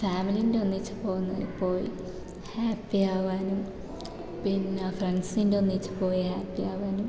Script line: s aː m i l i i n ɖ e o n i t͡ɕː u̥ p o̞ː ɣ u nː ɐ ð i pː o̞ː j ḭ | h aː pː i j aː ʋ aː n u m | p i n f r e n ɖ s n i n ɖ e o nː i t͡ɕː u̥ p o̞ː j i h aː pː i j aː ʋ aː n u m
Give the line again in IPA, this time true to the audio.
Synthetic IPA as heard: f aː m i l i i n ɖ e o nː i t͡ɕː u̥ p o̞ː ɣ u nː ɐ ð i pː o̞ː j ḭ | h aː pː i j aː ʋ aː n u m | p i n f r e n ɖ s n i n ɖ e o nː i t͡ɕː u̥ p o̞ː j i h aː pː i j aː ʋ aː n u m